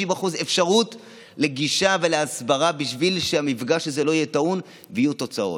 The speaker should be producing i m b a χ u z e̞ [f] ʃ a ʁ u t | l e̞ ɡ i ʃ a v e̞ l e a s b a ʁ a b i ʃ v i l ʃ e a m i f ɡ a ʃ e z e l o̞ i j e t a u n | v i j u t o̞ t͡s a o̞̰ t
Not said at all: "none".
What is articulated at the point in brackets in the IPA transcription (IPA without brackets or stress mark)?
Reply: f